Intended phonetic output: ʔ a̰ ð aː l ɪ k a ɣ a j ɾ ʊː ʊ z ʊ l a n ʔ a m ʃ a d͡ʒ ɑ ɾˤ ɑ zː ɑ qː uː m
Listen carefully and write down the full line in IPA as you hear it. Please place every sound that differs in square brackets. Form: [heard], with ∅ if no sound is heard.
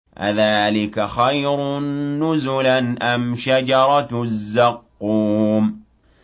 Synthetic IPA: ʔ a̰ ð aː l ɪ k a [x] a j ɾ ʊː ʊ z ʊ l a n ʔ a m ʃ a d͡ʒ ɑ ɾˤ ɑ zː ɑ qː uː m